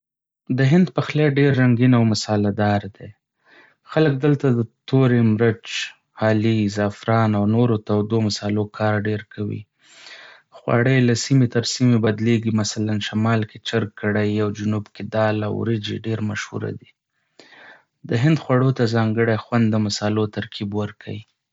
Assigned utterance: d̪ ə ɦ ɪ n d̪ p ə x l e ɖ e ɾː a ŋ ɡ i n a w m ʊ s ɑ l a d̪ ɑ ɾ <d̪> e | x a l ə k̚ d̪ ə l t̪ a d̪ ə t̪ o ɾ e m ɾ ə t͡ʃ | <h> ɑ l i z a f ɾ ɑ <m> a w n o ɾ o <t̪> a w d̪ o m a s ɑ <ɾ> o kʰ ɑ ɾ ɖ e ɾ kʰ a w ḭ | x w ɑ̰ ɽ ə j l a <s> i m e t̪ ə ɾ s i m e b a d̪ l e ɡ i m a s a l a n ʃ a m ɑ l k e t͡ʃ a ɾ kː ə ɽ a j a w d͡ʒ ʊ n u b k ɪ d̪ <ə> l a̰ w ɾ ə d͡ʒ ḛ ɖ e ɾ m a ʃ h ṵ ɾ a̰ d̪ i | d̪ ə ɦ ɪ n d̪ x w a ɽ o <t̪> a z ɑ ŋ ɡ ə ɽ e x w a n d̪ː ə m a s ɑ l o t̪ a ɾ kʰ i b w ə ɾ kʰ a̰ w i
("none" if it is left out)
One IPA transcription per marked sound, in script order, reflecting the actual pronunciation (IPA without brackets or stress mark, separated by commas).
d̪, h, n, t̪, l, s, ɑ, t̪